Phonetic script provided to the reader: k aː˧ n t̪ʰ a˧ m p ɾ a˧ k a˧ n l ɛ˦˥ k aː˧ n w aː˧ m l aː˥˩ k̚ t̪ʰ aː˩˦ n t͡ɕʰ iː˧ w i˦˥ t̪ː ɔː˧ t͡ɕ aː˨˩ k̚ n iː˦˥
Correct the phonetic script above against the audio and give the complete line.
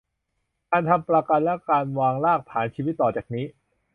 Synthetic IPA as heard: k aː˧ n t̪ʰ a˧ m p ɾ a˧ k a˧ n l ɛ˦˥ k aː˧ n w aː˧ ŋ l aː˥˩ k̚ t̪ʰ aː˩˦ n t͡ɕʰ iː˧ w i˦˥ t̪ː ɔː˨˩ t͡ɕ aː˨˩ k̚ n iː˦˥